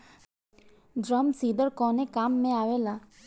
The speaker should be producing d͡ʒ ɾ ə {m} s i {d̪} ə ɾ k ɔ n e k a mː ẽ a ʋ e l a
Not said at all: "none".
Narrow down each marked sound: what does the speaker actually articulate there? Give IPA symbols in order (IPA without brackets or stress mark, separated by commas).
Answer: m, d̪